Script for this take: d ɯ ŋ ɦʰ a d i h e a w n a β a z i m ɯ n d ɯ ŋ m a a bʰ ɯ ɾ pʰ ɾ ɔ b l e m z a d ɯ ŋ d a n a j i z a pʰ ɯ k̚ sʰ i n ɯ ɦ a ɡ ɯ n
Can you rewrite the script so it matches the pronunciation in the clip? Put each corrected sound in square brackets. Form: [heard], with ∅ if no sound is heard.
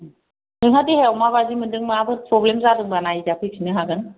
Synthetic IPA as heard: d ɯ ŋ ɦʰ a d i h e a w [m] a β a z i m ɯ n d ɯ ŋ m a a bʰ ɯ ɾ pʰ ɾ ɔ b l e m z a d ɯ ŋ [b] a n a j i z a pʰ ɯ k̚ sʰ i n ɯ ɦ a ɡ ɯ n